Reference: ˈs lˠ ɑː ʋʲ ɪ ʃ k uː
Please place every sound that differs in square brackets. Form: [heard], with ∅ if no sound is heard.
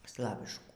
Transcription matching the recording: ˈs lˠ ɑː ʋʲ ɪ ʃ k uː